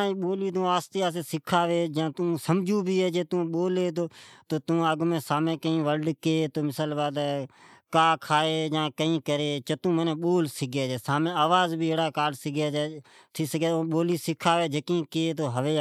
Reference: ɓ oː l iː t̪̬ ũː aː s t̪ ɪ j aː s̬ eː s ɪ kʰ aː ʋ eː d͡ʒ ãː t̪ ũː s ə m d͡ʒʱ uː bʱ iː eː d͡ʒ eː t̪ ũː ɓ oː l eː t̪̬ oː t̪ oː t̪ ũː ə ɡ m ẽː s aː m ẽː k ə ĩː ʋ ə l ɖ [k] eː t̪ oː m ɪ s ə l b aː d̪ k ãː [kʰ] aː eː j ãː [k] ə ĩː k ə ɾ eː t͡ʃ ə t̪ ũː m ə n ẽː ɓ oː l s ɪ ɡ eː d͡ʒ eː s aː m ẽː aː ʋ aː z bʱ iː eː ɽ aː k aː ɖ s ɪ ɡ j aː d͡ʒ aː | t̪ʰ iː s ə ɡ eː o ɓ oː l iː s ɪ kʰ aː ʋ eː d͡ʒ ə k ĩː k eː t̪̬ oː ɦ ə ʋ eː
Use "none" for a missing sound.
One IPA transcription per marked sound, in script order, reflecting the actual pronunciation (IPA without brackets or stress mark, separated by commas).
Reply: k, kʰ, k